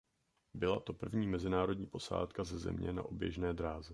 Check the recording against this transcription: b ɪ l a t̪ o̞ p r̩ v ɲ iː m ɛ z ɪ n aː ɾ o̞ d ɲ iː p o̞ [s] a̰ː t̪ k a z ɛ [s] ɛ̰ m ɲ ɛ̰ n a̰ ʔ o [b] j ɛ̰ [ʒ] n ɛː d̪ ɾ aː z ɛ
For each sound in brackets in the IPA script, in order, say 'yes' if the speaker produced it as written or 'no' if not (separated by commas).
yes, no, yes, yes